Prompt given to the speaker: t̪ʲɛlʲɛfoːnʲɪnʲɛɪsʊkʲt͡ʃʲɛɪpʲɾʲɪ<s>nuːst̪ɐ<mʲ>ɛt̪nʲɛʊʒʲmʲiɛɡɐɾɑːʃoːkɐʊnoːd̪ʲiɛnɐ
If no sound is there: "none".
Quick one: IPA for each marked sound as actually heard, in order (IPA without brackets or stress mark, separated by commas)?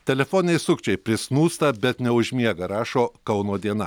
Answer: s, bʲ